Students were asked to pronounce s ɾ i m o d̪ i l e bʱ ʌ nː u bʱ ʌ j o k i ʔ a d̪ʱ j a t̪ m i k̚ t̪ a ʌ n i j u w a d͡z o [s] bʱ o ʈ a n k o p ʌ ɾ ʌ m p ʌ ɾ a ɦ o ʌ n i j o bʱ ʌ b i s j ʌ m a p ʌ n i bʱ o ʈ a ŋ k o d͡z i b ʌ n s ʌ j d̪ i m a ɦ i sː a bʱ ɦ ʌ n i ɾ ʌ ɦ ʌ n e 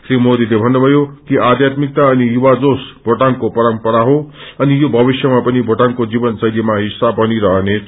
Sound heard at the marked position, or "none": s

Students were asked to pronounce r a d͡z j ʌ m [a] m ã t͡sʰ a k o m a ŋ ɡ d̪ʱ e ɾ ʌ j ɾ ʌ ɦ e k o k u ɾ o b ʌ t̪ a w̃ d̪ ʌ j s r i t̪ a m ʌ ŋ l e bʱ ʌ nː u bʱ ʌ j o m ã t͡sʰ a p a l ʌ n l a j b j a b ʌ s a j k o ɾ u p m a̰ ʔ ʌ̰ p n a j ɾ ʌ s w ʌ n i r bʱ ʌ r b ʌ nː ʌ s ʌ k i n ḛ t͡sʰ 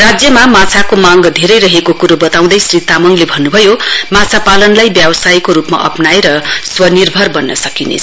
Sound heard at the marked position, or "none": a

